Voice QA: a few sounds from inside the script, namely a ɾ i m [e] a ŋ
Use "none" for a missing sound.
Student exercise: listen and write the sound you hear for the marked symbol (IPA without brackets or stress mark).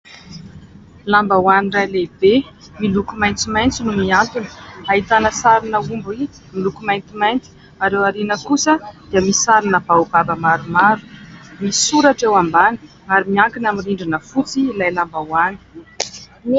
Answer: i